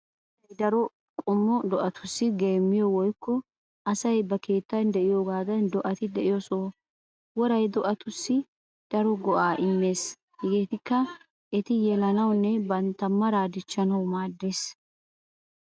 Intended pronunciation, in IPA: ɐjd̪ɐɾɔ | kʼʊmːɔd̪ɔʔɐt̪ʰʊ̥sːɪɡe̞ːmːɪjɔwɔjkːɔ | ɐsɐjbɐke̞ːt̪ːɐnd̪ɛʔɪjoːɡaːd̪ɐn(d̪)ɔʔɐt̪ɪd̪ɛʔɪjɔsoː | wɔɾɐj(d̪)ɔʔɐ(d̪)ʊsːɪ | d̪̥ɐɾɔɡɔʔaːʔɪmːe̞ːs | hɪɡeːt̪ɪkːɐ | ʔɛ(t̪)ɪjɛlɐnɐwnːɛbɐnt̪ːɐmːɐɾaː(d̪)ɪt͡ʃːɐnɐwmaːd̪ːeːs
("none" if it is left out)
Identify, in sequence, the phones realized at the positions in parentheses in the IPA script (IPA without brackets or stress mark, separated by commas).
d̪, d̪, t̪, t̪, d̪